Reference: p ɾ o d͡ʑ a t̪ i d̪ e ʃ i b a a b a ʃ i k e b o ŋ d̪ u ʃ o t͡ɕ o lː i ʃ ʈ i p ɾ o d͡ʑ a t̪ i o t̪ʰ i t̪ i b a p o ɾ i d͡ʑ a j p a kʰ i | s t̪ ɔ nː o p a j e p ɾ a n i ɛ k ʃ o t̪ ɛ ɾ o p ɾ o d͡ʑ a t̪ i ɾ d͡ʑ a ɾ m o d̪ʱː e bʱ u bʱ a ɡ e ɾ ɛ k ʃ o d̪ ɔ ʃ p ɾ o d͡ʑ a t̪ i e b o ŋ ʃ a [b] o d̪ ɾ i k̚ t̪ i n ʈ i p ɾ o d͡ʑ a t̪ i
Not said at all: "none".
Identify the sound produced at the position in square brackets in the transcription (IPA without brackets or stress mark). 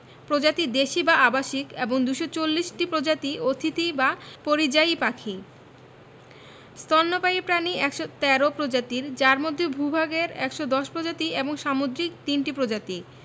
m